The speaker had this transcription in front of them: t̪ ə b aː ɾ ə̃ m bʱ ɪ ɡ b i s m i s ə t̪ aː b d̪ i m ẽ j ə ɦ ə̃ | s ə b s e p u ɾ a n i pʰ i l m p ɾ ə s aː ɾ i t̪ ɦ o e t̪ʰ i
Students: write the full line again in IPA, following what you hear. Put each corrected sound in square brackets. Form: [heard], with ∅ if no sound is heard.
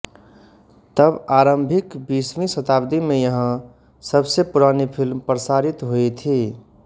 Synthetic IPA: t̪ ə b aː ɾ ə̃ m bʱ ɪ [k] b i s m i s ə t̪ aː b d̪ i m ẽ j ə ɦ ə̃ | s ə b s e p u ɾ a n i pʰ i l m p ɾ ə s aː ɾ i t̪ ɦ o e t̪ʰ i